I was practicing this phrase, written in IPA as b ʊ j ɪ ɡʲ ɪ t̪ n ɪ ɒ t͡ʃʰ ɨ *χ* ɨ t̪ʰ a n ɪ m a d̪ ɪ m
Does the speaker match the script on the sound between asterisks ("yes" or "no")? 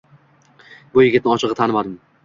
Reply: no